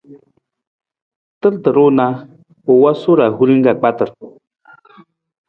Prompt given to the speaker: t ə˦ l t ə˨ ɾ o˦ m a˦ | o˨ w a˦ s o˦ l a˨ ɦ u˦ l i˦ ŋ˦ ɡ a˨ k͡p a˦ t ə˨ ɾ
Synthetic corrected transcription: t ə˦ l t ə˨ ɾ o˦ n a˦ | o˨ w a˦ s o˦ ɾ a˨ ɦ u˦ ɾ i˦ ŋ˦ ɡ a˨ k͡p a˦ t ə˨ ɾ